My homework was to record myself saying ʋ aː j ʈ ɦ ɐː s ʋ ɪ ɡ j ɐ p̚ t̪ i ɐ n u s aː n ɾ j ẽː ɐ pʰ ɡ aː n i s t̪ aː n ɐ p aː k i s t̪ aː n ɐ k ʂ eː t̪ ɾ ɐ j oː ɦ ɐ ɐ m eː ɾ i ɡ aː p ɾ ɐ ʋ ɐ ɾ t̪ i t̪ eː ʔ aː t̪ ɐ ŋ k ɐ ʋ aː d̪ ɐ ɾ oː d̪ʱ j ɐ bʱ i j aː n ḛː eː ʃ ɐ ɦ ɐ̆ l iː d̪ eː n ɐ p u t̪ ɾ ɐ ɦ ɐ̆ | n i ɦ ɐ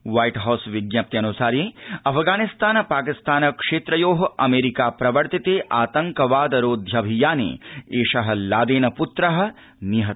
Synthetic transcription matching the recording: ʋ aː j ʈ ɦ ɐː s ʋ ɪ ɡ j ɐ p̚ t̪ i ɐ n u s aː ɾ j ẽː ɐ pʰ ɡ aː n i s t̪ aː n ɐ p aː k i s t̪ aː n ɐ k ʂ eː t̪ ɾ ɐ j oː ɦ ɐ ɐ m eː ɾ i k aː p ɾ ɐ ʋ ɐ ɾ t̪ i t̪ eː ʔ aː t̪ ɐ ŋ k ɐ ʋ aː d̪ ɐ ɾ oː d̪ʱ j ɐ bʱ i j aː n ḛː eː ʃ ɐ ɦ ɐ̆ l aː d̪ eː n ɐ p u t̪ ɾ ɐ ɦ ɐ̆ | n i ɦ ɐ

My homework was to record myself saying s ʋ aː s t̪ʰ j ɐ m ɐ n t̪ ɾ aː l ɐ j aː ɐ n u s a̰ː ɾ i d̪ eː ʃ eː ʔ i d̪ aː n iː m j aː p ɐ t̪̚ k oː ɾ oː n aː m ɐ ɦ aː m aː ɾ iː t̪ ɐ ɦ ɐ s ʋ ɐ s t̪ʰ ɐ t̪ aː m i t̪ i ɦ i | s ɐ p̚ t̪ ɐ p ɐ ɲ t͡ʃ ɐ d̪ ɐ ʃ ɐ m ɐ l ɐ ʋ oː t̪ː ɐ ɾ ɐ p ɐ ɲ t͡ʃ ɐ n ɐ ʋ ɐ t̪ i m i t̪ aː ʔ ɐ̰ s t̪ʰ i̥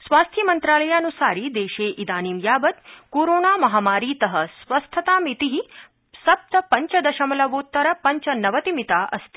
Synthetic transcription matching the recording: s ʋ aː s t̪ʰ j ɐ m ɐ n t̪ ɾ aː l ɐ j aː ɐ n u s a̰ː ɾ i d̪ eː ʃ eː ʔ i d̪ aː n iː m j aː b ɐ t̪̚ k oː ɾ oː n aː m ɐ ɦ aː m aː ɾ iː t̪ ɐ ɦ ɐ s ʋ ɐ s t̪ʰ ɐ t̪ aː m i t̪ i ɦ i | s ɐ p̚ t̪ ɐ p ɐ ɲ t͡ʃ ɐ d̪ ɐ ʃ ɐ m ɐ l ɐ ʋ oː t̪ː ɐ ɾ ɐ p ɐ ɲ t͡ʃ ɐ n ɐ ʋ ɐ t̪ i m i t̪ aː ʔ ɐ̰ s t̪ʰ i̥

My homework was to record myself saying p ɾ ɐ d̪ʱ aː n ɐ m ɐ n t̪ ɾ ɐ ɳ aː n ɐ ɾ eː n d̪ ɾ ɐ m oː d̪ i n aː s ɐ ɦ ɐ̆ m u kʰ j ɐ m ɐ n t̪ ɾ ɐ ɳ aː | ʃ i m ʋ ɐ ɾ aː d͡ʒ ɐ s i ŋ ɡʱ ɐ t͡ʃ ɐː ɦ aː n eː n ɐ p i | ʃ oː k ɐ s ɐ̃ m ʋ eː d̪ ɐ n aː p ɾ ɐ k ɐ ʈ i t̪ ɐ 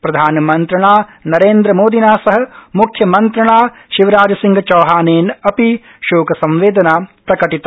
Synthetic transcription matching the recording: p ɾ ɐ d̪ʱ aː n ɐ m ɐ n t̪ ɾ ɐ ɳ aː n ɐ ɾ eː n d̪ ɾ ɐ m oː d̪ i n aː s ɐ ɦ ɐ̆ m u kʰ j ɐ m ɐ n t̪ ɾ ɐ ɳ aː | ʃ i ʋ ɐ ɾ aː d͡ʒ ɐ s i ŋ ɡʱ ɐ t͡ʃ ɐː ɦ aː n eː n ɐ p i | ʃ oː k ɐ s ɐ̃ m ʋ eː d̪ ɐ n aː p ɾ ɐ k ɐ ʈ i t̪ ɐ

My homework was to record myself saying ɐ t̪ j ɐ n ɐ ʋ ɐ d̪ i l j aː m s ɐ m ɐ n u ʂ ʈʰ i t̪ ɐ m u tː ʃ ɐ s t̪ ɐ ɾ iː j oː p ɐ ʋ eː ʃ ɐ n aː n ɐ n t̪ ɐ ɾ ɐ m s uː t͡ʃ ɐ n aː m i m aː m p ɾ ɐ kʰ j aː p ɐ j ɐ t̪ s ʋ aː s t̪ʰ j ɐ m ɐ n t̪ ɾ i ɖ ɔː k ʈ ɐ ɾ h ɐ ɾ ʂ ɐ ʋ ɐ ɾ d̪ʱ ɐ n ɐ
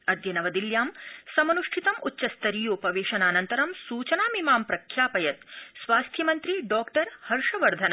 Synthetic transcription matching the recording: ɐ d̪ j ɐ n ɐ ʋ ɐ d̪ i l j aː m s ɐ m ɐ n u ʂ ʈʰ i t̪ ɐ m u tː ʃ ɐ s t̪ ɐ ɾ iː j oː p ɐ ʋ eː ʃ ɐ n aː n ɐ n t̪ ɐ ɾ ɐ m s uː t͡ʃ ɐ n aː m i m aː m p ɾ ɐ kʰ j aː p ɐ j ɐ t̪ s ʋ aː s t̪ʰ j ɐ m ɐ n t̪ ɾ i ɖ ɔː k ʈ ɐ ɾ h ɐ ɾ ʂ ɐ ʋ ɐ ɾ d̪ʱ ɐ n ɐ

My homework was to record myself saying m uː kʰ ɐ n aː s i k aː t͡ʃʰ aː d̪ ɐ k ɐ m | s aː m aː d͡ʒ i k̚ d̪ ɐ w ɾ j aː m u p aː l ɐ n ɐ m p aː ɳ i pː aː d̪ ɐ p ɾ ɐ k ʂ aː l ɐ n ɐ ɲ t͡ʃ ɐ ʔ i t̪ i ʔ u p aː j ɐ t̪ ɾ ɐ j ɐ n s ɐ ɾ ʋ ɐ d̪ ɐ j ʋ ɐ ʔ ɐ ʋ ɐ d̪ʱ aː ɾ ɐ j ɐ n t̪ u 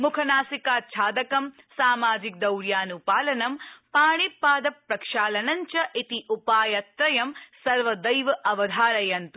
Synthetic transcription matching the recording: m u kʰ ɐ n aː s i k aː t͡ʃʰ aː d̪ ɐ k ɐ m | s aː m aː d͡ʒ i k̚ d̪ ɐ w ɾ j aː n u p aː l ɐ n ɐ m p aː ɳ i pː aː d̪ ɐ p ɾ ɐ k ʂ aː l ɐ n ɐ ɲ t͡ʃ ɐ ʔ i t̪ i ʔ u p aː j ɐ t̪ ɾ ɐ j ɐ m s ɐ ɾ ʋ ɐ d̪ ɐ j ʋ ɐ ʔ ɐ ʋ ɐ d̪ʱ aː ɾ ɐ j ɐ n t̪ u

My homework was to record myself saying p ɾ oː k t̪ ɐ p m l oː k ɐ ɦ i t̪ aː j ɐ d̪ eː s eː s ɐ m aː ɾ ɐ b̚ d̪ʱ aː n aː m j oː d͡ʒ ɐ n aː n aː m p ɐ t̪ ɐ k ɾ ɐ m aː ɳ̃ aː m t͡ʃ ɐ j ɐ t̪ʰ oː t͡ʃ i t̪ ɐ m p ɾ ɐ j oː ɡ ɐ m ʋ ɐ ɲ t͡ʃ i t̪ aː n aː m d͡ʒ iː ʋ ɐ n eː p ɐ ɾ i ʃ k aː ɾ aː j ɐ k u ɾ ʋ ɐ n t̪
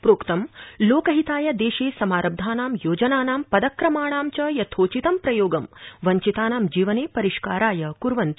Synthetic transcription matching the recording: p ɾ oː k t̪ ɐ m l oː k ɐ ɦ i t̪ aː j ɐ d̪ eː ʃ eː s ɐ m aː ɾ ɐ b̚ d̪ʱ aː n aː m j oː d͡ʒ ɐ n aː n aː m p ɐ d̪ ɐ k ɾ ɐ m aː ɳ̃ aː m t͡ʃ ɐ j ɐ t̪ʰ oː t͡ʃ i t̪ ɐ m p ɾ ɐ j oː ɡ ɐ m ʋ ɐ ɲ t͡ʃ i t̪ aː n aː m d͡ʒ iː ʋ ɐ n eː p ɐ ɾ i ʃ k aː ɾ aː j ɐ k u ɾ ʋ ɐ n t̪

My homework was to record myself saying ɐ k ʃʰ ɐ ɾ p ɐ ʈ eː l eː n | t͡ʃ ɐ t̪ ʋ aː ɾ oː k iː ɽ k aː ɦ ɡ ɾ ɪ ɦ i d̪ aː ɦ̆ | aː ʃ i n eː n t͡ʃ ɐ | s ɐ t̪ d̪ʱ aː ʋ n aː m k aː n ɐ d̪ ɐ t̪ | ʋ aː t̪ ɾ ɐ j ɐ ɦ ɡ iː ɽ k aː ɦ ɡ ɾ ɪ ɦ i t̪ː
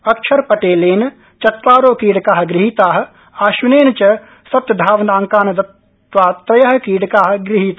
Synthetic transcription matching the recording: ɐ k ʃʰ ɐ ɾ p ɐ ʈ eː l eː n | t͡ʃ ɐ t̪ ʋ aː ɾ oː k iː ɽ k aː ɦ ɡ ɾ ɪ ɦ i t̪ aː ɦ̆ | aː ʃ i n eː n t͡ʃ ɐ | s ɐ t̪ d̪ʱ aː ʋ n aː ŋ k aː n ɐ d̪ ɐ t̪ | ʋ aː t̪ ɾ ɐ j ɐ ɦ k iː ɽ k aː ɦ ɡ ɾ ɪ ɦ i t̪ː

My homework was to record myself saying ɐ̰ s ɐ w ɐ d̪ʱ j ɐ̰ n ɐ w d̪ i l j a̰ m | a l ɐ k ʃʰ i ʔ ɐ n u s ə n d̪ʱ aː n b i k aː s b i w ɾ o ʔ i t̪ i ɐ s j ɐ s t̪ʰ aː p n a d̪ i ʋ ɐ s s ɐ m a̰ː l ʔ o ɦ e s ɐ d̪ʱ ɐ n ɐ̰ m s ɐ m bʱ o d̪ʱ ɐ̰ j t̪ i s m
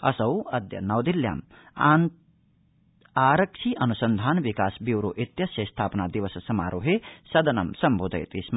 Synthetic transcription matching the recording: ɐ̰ s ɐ w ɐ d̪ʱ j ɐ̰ n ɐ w d̪ i l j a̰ m | a ɾ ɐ k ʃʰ i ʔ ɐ n u s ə n d̪ʱ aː n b i k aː s b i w ɾ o ʔ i t̪ j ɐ s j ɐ s t̪ʰ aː p n a d̪ i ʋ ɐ s s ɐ m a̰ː ɾ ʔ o ɦ e s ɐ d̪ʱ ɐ n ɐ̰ m s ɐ m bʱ o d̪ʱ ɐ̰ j t̪ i s m

